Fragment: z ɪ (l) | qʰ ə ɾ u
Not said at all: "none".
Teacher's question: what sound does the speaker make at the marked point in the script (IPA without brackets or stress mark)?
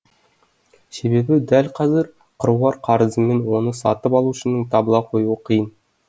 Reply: ɾ